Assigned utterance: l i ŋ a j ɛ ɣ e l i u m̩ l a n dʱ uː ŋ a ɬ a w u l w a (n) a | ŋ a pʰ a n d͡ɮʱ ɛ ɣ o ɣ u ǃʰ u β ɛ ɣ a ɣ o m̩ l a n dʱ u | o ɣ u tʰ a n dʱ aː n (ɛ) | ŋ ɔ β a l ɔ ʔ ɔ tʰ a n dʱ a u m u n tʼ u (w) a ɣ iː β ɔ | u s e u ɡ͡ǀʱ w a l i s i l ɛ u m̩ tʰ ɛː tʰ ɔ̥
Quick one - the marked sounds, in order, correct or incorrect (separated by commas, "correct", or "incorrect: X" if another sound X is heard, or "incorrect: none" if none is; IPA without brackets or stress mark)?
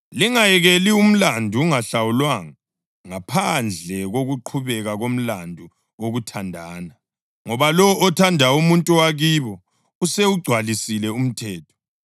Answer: incorrect: ŋ, incorrect: a, correct